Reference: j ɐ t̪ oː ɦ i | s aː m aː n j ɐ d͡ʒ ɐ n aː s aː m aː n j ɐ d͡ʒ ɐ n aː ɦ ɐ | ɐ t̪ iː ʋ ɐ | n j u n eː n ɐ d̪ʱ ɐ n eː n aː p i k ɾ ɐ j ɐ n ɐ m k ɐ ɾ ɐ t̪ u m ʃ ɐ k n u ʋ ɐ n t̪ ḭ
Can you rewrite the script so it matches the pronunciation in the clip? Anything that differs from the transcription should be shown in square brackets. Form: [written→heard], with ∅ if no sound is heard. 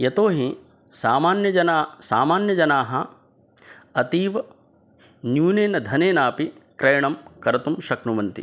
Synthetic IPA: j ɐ t̪ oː ɦ i | s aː m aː n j ɐ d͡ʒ ɐ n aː s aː m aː n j ɐ d͡ʒ ɐ n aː ɦ ɐ | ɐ t̪ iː ʋ ɐ | n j [u→uː] n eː n ɐ d̪ʱ ɐ n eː n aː p i k ɾ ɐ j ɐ [n→ɳ] ɐ m k ɐ ɾ ɐ t̪ u m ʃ ɐ k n u ʋ ɐ n t̪ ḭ